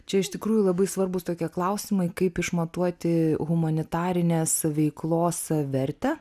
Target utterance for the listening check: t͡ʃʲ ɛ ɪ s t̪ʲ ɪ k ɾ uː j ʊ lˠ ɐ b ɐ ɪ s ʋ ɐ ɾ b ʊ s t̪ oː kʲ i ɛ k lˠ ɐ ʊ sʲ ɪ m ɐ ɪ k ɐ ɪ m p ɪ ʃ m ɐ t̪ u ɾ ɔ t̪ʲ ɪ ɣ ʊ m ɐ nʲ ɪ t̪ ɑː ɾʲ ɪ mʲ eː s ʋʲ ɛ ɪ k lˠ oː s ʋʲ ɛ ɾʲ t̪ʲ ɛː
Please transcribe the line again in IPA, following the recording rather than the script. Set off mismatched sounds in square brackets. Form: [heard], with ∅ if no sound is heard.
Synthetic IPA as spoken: t͡ʃʲ ɛ ɪ [ʃ] t̪ʲ ɪ k ɾ uː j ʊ lˠ ɐ b ɐ ɪ s ʋ ɐ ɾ b ʊ s t̪ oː kʲ i ɛ k lˠ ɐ ʊ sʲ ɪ m ɐ ɪ k ɐ ɪ [∅] p ɪ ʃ m ɐ t̪ u [∅] ɔ t̪ʲ ɪ ɣ ʊ m ɐ nʲ ɪ t̪ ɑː ɾʲ ɪ [nʲ] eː s ʋʲ ɛ ɪ k lˠ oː s ʋʲ ɛ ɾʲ t̪ʲ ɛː